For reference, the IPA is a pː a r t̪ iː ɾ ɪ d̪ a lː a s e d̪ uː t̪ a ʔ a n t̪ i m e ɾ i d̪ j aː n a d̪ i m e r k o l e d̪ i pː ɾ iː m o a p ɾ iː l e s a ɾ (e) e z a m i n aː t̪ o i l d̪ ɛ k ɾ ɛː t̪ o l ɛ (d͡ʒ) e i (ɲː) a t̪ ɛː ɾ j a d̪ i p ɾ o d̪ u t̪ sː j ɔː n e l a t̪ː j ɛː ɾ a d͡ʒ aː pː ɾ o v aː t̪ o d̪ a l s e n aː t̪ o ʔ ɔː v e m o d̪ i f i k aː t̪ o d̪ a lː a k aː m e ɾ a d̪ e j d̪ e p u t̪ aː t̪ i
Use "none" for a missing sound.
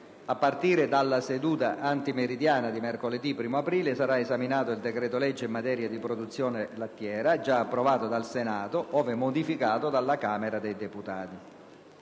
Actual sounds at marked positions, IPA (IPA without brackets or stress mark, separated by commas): a, d͡ʒː, mː